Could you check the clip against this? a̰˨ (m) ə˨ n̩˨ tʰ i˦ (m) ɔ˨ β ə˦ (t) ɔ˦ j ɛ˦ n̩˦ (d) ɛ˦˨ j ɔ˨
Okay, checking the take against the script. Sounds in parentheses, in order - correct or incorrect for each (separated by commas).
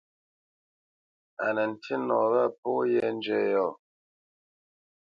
incorrect, incorrect, incorrect, incorrect